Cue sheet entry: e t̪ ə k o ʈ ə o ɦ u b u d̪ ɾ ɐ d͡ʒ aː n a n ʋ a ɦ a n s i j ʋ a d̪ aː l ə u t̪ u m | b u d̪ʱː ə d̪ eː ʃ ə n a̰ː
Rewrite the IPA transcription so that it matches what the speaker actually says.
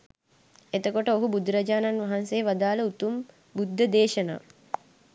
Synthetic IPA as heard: e t̪ ə k o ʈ ə o ɦ u b u d̪ ɾ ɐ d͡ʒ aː n a n ʋ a ɦ a n s e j ʋ a d̪ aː l ə u t̪ u m | b u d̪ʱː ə d̪ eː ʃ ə n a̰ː